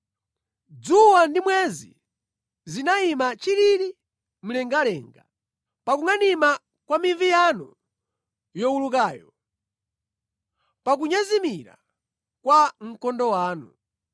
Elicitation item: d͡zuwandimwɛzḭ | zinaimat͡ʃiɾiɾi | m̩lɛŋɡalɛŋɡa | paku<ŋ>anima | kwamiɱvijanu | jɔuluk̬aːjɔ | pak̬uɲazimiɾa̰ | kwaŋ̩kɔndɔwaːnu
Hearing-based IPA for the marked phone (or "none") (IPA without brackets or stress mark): ŋ